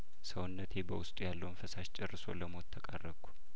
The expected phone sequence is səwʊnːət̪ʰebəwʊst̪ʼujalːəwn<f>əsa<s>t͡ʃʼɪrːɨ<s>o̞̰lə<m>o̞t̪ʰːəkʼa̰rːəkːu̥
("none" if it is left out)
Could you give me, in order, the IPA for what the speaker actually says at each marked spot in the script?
f, ʃ, s, m

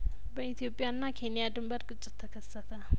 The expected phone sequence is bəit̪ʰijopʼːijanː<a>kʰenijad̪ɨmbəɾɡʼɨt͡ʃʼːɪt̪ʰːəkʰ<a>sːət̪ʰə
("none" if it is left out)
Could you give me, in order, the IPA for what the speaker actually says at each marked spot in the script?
a, ə

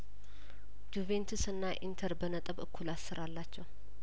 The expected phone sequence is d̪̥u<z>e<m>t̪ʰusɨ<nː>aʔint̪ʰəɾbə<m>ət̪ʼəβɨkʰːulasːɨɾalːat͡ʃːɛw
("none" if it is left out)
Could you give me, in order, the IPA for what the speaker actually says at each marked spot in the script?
v, n, nː, n

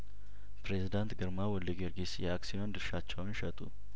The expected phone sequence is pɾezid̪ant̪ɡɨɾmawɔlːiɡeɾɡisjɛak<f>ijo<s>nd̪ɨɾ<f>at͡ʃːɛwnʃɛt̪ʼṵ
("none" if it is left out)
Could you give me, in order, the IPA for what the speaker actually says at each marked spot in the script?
s, none, ʃ

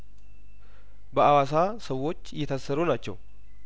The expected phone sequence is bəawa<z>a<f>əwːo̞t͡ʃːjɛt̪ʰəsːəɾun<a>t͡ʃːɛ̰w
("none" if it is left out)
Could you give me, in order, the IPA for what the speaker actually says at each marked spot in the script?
s, s, a

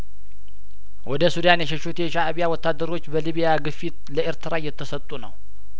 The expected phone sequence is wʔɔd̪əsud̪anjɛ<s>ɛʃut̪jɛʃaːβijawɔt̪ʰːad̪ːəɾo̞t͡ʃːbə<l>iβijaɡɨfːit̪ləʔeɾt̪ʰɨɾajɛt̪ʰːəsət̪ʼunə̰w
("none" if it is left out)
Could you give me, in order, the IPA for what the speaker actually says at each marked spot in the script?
ʃ, l

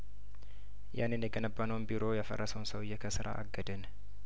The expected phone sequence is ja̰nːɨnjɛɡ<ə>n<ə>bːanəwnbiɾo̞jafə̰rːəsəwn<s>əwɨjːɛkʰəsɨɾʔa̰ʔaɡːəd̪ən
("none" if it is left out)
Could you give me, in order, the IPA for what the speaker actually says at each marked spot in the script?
ə, ə, s

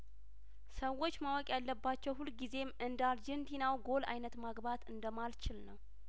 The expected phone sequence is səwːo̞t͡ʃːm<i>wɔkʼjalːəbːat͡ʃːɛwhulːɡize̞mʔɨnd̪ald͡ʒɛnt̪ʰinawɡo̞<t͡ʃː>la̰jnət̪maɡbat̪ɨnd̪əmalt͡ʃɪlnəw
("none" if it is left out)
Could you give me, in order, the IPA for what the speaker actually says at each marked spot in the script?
a, none

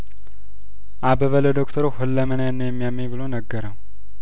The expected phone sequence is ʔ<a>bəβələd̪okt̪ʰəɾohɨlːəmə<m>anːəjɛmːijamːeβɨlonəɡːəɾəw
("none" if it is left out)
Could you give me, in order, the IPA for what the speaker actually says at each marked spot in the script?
a, n

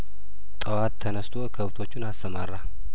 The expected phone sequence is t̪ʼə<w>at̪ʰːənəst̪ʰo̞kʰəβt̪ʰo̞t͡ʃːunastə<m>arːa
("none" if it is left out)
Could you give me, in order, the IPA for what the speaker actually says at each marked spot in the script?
w, m

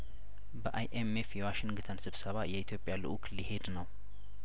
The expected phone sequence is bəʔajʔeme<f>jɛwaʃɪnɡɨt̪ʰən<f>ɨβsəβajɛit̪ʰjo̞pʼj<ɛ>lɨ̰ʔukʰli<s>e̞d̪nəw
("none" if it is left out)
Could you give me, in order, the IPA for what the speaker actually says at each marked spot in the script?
f, s, a, h

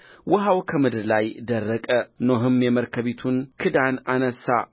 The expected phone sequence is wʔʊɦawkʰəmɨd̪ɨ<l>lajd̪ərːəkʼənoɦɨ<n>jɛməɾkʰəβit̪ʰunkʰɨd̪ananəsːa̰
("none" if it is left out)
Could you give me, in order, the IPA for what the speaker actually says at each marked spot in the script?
ɾ, m

